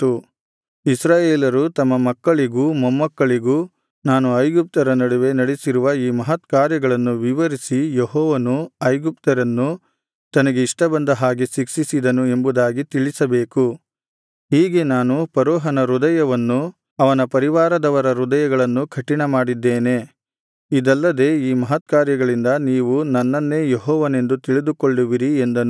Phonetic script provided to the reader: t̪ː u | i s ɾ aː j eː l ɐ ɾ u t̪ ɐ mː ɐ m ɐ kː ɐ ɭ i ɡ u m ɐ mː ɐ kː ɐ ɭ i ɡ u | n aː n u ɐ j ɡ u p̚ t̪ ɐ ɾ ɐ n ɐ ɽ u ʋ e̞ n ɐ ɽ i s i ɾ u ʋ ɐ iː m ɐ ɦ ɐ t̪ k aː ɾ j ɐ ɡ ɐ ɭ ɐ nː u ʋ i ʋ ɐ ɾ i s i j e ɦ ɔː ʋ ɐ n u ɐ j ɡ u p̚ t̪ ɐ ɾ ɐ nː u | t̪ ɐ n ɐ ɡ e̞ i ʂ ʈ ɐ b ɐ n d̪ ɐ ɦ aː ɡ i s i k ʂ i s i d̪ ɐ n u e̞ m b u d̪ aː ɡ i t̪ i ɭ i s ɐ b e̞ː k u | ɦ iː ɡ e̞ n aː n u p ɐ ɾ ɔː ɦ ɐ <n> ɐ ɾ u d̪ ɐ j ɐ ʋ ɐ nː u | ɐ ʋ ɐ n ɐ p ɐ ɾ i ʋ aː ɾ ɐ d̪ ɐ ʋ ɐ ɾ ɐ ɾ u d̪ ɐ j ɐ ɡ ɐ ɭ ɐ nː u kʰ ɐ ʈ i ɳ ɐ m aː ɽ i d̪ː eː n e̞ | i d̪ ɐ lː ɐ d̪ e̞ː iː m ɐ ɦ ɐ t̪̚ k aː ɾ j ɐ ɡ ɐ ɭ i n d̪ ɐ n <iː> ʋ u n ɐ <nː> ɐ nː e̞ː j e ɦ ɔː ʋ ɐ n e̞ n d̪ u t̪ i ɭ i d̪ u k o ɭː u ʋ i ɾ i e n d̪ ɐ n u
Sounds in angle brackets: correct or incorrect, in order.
correct, correct, correct

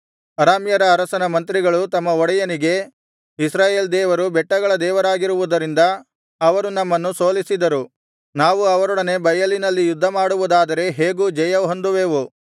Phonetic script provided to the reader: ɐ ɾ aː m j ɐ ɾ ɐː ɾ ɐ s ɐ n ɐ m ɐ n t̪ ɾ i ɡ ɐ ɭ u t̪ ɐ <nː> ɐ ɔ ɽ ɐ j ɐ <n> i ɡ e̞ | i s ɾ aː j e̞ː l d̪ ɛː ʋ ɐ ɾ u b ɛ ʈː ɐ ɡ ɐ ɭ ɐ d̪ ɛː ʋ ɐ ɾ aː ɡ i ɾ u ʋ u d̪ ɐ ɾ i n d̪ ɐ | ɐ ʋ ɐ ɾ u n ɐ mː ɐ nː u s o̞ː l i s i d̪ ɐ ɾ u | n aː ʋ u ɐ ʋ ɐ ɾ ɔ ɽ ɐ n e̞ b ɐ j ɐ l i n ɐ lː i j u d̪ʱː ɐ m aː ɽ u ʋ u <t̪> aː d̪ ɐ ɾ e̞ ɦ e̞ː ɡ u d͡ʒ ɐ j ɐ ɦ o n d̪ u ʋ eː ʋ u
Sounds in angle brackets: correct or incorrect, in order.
incorrect, correct, incorrect

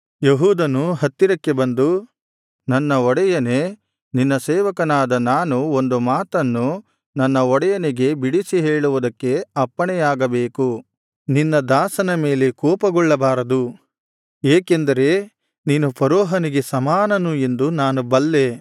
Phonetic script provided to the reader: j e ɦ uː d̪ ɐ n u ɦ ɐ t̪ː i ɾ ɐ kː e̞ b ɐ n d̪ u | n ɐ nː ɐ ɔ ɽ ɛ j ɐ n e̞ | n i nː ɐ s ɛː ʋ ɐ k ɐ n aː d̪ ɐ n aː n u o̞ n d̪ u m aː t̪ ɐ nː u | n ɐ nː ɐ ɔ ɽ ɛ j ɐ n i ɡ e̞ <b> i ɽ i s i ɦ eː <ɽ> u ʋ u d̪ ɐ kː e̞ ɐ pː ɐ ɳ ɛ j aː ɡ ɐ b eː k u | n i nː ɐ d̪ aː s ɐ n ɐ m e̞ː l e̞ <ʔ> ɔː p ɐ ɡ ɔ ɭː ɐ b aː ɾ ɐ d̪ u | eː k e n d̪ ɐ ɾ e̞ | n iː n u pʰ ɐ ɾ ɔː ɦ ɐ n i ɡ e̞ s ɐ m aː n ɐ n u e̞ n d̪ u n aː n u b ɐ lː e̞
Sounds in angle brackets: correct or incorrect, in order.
correct, incorrect, incorrect

